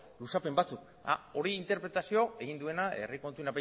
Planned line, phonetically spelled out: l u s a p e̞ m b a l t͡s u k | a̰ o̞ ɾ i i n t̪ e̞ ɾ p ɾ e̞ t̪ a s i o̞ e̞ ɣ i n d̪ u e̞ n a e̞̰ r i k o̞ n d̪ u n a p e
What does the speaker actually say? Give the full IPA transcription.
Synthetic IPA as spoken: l u s a p e̞ m b a t͡s u k | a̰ o̞ ɾ i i n t̪ e̞ ɾ p ɾ e̞ t̪ a s i o̞ e̞ ɣ i n d̪ u e̞ n a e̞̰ r i k o̞ n t̪ u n a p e